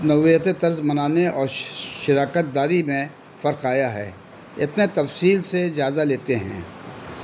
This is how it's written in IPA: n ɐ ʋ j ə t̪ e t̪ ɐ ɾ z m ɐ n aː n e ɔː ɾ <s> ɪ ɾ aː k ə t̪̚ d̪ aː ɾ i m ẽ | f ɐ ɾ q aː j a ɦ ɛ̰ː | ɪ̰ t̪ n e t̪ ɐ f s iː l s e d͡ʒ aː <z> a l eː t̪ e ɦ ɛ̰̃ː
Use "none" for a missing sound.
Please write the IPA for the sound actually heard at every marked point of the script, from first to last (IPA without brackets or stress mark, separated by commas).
ʃ, z